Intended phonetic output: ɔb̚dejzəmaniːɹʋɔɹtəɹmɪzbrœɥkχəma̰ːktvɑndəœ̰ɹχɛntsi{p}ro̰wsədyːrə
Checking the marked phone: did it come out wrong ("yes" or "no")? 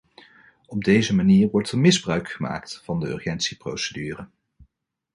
no